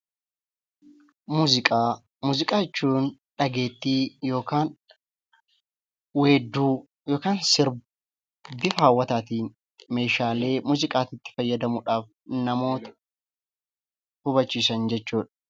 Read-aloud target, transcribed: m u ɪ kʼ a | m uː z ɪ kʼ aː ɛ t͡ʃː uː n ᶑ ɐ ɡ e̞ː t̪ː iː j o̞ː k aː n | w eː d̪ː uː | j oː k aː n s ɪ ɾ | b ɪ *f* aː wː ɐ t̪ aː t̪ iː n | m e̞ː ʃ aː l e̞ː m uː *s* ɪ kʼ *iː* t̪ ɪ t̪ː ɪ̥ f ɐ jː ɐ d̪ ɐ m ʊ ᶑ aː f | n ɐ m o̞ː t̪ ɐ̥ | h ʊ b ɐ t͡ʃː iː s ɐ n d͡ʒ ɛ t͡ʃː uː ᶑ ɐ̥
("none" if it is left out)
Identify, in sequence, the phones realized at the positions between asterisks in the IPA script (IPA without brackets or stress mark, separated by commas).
f, z, aː